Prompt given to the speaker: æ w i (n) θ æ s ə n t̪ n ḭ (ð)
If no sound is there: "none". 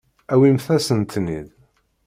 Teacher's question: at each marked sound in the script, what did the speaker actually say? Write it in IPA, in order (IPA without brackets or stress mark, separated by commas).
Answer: m, ð